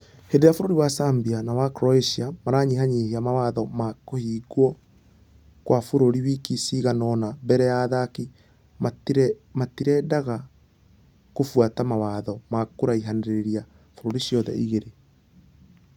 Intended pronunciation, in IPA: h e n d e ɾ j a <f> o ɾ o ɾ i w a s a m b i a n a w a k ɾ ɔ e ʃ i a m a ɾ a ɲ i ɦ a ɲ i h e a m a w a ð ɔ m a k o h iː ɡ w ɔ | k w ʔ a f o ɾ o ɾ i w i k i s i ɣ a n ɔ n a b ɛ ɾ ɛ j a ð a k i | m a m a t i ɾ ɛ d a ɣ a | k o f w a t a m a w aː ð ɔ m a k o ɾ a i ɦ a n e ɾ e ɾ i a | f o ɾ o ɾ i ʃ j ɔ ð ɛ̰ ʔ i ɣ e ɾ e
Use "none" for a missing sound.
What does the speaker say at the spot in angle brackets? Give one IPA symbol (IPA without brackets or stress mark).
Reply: f